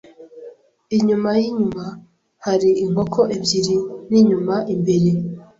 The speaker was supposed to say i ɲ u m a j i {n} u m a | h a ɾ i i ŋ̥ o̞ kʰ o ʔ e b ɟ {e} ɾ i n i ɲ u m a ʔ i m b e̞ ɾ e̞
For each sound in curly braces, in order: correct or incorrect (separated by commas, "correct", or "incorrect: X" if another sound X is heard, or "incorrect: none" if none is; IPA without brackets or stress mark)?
incorrect: ɲ, incorrect: i